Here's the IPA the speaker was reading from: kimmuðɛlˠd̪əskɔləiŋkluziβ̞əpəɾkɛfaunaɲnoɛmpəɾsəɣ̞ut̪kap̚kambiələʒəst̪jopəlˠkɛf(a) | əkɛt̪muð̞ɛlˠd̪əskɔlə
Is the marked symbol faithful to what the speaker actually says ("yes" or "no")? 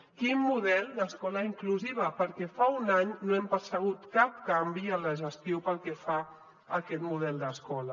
yes